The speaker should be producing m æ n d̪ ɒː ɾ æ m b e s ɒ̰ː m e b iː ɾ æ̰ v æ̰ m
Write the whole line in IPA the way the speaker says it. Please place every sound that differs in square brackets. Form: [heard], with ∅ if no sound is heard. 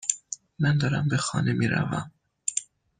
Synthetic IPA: m æ n d̪ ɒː ɾ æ m b e [x] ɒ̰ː [n] e [m] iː ɾ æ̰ v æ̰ m

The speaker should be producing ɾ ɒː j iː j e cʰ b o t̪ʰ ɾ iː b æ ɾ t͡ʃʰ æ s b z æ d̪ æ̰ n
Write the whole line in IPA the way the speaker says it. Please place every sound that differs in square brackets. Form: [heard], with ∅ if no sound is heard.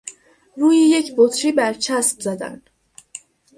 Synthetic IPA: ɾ [uː] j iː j e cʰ b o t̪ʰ ɾ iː b æ ɾ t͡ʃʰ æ s b z æ d̪ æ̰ n

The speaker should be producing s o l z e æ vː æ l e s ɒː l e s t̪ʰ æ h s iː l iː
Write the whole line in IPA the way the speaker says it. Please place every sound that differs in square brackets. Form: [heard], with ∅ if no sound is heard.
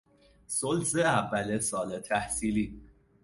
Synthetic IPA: s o l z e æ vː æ l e s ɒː l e [∅] t̪ʰ æ h s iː l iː

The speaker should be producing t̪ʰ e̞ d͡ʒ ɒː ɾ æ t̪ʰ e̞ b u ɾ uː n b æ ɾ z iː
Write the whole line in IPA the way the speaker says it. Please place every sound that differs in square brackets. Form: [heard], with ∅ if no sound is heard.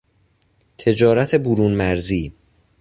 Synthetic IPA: t̪ʰ e̞ d͡ʒ ɒː ɾ æ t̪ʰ e̞ b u ɾ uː n [m] æ ɾ z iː

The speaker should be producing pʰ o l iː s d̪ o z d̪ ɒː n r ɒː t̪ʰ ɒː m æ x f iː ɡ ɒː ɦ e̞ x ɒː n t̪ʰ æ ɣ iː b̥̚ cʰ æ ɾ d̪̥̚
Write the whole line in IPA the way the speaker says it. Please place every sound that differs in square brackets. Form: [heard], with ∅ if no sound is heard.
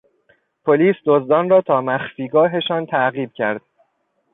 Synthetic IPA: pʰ o l iː s d̪ o z d̪ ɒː n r ɒː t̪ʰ ɒː m æ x f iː ɡ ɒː ɦ e̞ [ʃ] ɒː n t̪ʰ æ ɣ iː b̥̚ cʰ æ ɾ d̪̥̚

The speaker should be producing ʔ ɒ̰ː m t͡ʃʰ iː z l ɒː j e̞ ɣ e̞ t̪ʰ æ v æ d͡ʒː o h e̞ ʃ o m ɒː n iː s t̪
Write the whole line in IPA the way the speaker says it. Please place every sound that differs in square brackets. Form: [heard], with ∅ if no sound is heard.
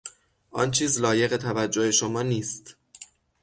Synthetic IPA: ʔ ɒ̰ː [n] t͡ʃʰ iː z l ɒː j e̞ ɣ e̞ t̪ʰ æ v æ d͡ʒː o h e̞ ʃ o m ɒː n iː s t̪

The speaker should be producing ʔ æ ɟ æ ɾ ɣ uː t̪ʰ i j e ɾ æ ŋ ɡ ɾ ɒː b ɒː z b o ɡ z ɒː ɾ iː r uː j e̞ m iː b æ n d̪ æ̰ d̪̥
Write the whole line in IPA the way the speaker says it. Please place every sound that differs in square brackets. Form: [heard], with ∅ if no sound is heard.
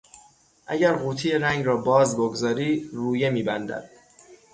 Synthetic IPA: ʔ æ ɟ æ ɾ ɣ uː t̪ʰ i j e ɾ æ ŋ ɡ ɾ ɒː b ɒː z b o ɡ z ɒː ɾ iː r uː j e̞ m iː b æ n d̪ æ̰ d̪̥

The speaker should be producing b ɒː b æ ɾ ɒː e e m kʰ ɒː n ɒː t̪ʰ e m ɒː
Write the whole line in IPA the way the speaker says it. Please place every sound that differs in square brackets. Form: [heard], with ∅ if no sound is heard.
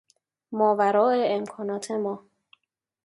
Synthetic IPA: [m] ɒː [v] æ ɾ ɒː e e m kʰ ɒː n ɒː t̪ʰ e m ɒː

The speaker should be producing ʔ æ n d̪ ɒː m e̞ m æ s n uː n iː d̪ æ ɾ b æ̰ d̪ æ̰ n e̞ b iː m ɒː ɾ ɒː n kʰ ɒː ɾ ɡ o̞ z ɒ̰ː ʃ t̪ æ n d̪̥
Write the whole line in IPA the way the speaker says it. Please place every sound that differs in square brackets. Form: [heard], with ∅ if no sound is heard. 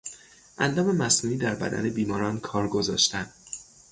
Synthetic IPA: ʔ æ n d̪ ɒː m e̞ m æ s n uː n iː d̪ æ ɾ b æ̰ d̪ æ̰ n e̞ b iː m ɒː ɾ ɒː n kʰ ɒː ɾ ɡ o̞ z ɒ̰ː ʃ t̪ æ n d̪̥

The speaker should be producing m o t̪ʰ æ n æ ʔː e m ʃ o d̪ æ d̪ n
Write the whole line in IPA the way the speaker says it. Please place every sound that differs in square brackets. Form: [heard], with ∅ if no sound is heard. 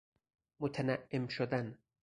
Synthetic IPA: m o t̪ʰ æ n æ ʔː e m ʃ o d̪ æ [∅] n

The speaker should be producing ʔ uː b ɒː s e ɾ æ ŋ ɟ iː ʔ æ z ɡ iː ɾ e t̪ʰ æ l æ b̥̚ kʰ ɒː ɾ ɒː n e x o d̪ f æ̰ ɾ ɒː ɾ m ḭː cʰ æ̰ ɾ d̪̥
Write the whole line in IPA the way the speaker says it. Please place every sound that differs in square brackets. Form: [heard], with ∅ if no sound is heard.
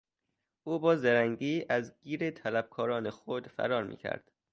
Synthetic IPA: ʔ uː b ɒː [z] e ɾ æ ŋ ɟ iː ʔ æ z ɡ iː ɾ e t̪ʰ æ l æ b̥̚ kʰ ɒː ɾ ɒː n e x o d̪ f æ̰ ɾ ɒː ɾ m ḭː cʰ æ̰ ɾ d̪̥

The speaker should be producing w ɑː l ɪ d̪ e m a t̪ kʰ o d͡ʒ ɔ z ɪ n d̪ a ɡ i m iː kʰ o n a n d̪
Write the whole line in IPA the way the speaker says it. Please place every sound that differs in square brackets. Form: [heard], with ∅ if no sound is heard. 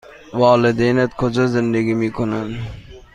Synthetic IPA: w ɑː l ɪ d̪ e [n] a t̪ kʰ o d͡ʒ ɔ z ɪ n d̪ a ɡ i m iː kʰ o n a n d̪

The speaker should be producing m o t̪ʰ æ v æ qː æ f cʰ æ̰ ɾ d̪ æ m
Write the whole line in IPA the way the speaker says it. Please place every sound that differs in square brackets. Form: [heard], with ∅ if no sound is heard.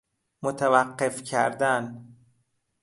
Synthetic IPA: m o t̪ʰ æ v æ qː [e] f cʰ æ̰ ɾ d̪ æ [n]

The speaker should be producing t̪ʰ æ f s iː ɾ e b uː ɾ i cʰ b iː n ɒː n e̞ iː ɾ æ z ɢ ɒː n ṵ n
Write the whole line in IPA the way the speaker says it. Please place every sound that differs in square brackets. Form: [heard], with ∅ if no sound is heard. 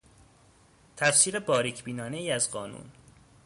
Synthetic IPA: t̪ʰ æ f s iː ɾ e b [ɒː] ɾ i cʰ b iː n ɒː n e̞ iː [∅] æ z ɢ ɒː n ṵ n

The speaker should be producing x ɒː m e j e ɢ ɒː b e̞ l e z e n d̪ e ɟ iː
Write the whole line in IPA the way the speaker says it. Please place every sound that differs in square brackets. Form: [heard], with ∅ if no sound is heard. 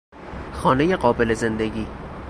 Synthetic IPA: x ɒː [n] e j e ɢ ɒː b e̞ l e z e n d̪ e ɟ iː

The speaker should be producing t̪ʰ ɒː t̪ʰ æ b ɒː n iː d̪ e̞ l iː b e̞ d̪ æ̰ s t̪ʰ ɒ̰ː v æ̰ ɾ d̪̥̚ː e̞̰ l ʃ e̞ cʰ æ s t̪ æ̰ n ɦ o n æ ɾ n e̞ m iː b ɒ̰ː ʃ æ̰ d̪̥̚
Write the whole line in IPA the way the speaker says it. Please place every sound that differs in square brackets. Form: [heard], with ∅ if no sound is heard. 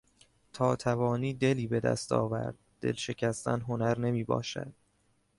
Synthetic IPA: t̪ʰ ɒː t̪ʰ æ [v] ɒː n iː d̪ e̞ l iː b e̞ d̪ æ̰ s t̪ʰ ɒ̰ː v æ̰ ɾ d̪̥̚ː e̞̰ l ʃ e̞ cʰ æ s t̪ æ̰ n ɦ o n æ ɾ n e̞ m iː b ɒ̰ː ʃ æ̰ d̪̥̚

